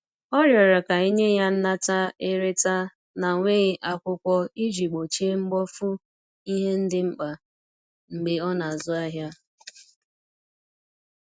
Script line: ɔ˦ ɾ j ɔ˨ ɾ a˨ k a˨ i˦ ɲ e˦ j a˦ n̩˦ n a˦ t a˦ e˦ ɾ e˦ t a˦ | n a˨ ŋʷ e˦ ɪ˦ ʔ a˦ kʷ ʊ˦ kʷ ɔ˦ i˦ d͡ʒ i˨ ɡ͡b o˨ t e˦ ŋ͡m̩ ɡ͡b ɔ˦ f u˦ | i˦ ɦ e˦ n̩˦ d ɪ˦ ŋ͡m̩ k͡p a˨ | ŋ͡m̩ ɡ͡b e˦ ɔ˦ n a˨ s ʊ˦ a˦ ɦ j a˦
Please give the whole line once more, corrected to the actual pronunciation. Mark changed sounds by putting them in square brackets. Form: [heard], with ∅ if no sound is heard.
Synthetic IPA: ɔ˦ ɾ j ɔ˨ ɾ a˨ k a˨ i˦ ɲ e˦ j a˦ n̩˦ n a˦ t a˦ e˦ ɾ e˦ t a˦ | n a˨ ŋʷ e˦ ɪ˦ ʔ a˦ kʷ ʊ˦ kʷ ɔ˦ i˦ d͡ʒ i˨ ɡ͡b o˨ [t͡ʃ] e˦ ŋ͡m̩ ɡ͡b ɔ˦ f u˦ | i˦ ɦ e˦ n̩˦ d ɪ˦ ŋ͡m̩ k͡p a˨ | ŋ͡m̩ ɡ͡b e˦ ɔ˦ n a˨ [z] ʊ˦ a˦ ɦ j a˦